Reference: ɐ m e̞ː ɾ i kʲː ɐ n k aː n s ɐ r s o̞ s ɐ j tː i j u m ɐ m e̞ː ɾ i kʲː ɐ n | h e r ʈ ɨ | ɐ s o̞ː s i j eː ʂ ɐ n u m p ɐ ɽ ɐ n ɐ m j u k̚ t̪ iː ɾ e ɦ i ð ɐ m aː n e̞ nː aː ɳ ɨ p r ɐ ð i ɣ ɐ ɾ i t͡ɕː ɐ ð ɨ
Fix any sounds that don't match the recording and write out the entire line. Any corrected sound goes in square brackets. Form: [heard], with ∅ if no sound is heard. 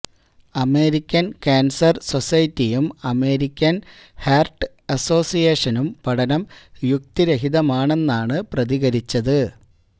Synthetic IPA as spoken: ɐ m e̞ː ɾ i kʲː ɐ n k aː n s ɐ r s o̞ s ɐ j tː i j u m ɐ m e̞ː ɾ i kʲː ɐ n | h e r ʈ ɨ | ɐ s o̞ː s i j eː ʂ ɐ n u m p ɐ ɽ ɐ n ɐ m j u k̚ t̪ [i] ɾ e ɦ i ð ɐ m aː [ɳ] e̞ nː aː ɳ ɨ p r ɐ ð i ɣ ɐ ɾ i t͡ɕː ɐ ð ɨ